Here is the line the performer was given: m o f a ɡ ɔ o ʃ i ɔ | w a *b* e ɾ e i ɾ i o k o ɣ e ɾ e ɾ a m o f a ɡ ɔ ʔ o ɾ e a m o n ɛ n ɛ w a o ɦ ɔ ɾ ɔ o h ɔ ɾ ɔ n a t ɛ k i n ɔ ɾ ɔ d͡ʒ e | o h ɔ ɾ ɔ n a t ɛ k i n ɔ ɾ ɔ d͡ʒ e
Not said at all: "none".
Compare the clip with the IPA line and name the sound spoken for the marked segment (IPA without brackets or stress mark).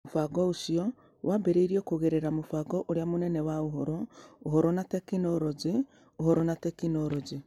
b